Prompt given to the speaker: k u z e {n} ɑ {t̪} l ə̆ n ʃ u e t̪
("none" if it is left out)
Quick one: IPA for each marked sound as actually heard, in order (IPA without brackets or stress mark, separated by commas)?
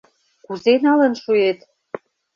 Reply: n, none